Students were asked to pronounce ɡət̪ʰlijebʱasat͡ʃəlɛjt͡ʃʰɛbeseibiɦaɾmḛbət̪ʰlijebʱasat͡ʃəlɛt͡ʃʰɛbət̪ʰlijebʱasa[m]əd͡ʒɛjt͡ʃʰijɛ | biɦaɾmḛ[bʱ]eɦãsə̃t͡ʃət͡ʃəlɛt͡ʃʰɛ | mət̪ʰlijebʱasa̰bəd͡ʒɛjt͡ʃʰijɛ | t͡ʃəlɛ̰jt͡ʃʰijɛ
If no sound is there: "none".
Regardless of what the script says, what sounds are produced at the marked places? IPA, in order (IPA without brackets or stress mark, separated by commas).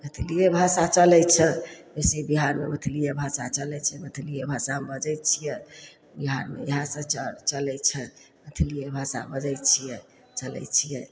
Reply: b, none